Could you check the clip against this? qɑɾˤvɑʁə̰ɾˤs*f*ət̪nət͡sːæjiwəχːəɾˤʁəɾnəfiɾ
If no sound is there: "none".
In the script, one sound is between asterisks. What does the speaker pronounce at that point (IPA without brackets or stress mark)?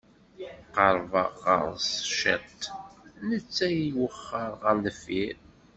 ʃ